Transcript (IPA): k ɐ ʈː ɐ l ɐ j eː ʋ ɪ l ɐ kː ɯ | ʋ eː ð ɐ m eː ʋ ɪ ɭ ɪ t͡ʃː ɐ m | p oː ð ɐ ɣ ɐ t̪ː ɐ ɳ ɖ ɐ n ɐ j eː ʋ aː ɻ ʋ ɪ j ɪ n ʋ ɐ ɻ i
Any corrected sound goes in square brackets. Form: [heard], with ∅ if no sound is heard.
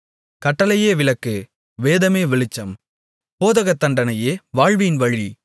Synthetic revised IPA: k ɐ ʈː ɐ l ɐ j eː ʋ ɪ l ɐ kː ɯ | ʋ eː ð ɐ m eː ʋ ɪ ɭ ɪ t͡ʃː ɐ m | p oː ð ɐ ɣ ɐ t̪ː ɐ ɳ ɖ ɐ n ɐ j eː ʋ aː ɻ ʋ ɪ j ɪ n ʋ ɐ ɻ i